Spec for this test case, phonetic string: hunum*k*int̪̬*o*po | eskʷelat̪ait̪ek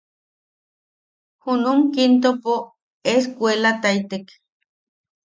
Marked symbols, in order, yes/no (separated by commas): yes, yes